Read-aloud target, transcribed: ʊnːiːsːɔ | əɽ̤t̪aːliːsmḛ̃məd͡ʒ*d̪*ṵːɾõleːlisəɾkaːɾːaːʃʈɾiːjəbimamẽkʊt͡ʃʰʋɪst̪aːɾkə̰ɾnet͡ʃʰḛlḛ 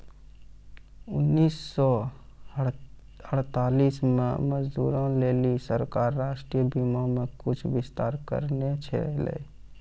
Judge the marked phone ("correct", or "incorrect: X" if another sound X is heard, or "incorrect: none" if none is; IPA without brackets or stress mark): correct